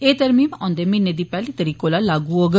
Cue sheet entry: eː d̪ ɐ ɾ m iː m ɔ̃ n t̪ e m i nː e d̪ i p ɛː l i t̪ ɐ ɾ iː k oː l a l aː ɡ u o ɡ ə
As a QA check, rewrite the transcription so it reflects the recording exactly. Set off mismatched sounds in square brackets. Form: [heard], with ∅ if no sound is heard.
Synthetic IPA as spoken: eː [t̪] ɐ ɾ m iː m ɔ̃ n [d̪] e m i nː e d̪ i p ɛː l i t̪ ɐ ɾ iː k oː l a l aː ɡ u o ɡ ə